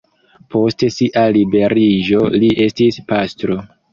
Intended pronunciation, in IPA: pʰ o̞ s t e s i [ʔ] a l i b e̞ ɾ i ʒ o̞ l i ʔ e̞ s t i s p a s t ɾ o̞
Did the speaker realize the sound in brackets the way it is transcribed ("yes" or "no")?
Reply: yes